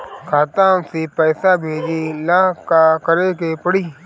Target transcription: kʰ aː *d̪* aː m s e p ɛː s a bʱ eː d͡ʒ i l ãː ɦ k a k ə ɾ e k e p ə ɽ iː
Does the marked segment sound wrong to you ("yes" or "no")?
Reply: yes